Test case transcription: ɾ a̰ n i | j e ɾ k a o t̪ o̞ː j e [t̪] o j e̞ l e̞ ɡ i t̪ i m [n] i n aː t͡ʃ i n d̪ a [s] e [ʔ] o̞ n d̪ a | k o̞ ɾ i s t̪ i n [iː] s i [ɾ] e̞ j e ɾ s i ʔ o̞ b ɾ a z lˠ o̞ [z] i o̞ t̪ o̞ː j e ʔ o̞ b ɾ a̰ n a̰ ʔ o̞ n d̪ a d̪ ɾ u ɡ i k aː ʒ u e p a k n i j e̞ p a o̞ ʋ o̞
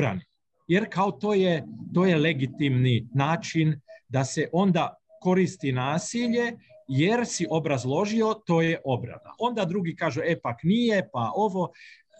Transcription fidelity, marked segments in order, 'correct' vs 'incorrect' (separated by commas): correct, correct, correct, correct, incorrect, incorrect, incorrect